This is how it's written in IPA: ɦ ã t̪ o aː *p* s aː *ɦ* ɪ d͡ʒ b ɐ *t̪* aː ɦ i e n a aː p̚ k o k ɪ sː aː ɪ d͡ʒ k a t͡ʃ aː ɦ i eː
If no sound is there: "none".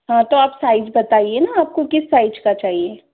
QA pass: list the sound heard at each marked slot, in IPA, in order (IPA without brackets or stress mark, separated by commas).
p, none, t̪